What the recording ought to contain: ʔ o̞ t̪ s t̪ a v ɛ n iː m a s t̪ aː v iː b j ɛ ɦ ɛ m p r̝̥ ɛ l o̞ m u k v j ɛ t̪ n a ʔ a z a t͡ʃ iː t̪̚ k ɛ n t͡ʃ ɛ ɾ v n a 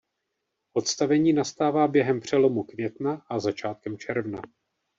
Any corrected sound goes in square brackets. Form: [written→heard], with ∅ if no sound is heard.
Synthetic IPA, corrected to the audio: ʔ o̞ t̪ s t̪ a v ɛ [n→ɲ] iː [m→n] a s t̪ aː v [iː→aː] b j ɛ ɦ ɛ m p r̝̥ ɛ l o̞ m u k v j ɛ t̪ n a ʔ a z a t͡ʃ [iː→aː] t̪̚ k ɛ [n→m] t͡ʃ ɛ ɾ v n a